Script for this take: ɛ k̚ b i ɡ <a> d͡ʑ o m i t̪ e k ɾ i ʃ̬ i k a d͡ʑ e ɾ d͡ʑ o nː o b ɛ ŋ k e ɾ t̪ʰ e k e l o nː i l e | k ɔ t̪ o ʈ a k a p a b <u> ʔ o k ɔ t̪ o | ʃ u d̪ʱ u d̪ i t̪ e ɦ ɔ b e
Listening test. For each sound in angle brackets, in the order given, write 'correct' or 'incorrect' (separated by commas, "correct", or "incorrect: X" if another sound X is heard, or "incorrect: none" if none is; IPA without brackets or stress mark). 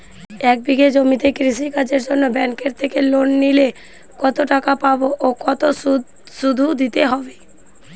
incorrect: e, incorrect: o